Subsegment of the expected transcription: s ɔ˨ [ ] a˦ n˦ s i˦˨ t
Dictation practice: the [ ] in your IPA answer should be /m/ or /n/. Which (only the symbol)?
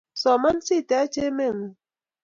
m